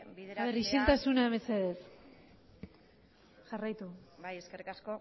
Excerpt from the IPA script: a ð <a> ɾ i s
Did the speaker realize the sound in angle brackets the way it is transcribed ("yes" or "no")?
no